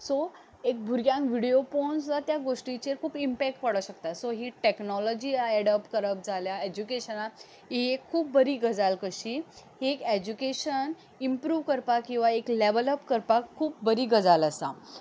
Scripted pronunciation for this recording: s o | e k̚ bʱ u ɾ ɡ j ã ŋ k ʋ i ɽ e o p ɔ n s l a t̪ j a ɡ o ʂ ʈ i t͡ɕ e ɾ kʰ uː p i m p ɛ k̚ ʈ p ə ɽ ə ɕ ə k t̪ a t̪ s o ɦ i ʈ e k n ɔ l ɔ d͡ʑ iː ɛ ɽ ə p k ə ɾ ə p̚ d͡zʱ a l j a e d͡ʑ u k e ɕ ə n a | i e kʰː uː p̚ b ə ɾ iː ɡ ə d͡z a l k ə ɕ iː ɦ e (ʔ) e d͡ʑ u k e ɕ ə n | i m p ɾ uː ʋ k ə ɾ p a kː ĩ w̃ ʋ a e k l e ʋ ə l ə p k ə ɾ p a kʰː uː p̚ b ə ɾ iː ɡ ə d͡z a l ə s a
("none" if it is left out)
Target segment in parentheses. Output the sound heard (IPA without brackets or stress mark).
k